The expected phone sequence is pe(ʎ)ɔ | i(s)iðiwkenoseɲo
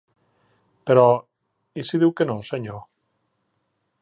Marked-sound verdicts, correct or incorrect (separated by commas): incorrect, correct